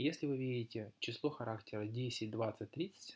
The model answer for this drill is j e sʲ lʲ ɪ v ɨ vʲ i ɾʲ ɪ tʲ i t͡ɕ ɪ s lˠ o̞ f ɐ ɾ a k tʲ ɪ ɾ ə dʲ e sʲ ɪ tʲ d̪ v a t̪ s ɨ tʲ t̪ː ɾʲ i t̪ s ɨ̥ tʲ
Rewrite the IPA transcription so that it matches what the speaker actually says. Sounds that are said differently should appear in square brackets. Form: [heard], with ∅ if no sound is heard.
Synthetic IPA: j e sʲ lʲ ɪ v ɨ vʲ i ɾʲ ɪ tʲ [ɪ] t͡ɕ ɪ s lˠ o̞ [x] ɐ ɾ a k tʲ ɪ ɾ ə dʲ e sʲ ɪ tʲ d̪ v a t̪ s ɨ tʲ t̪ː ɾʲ i t̪ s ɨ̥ tʲ